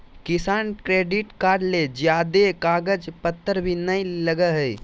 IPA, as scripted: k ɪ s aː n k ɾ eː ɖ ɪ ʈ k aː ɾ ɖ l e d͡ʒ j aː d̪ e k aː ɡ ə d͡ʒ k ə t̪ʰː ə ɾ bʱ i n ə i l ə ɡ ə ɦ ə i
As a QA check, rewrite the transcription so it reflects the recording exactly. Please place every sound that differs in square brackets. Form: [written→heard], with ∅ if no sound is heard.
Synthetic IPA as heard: k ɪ s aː n k ɾ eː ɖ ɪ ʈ k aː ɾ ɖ l e d͡ʒ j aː d̪ e k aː ɡ ə d͡ʒ [k→p] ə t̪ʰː ə ɾ bʱ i n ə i l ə ɡ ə ɦ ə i

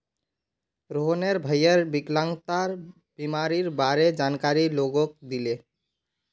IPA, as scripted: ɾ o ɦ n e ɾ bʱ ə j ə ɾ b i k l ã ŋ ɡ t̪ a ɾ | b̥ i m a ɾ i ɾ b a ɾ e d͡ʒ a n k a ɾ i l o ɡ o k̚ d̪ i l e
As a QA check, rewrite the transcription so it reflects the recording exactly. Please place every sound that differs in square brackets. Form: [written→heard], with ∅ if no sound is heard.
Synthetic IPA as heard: ɾ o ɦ n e ɾ bʱ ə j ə ɾ b i k l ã ŋ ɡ t̪ a ɾ | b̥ i m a ɾ i ɾ b a ɾ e d͡ʒ a n k a ɾ i l o ɡ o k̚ d̪ i l e

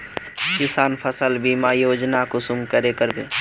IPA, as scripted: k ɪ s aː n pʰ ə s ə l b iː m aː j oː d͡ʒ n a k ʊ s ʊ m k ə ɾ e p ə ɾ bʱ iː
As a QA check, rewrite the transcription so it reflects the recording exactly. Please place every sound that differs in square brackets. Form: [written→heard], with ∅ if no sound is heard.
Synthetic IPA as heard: k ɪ s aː n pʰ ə s ə l b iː m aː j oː d͡ʒ n a k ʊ s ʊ m k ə ɾ e [p→k] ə ɾ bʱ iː

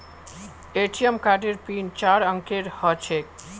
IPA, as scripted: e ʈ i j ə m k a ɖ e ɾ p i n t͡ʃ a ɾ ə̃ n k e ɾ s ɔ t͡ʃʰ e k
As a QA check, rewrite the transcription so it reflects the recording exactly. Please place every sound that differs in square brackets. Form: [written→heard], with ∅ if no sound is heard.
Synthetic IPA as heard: e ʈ i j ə m k a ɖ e ɾ p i n t͡ʃ a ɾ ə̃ [n→ŋ] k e ɾ [s→h] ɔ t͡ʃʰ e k

